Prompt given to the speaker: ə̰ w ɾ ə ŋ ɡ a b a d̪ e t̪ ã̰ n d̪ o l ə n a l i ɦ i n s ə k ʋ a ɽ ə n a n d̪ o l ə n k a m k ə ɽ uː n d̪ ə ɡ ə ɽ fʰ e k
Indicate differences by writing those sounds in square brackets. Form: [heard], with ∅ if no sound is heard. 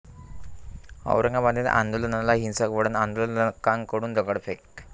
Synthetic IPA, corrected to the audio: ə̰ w ɾ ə ŋ ɡ a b a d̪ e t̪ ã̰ n d̪ o l ə n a l [a] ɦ i n s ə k ʋ [ə] ɽ ə n a n d̪ o l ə n k a [ŋ] k ə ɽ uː n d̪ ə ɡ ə ɽ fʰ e k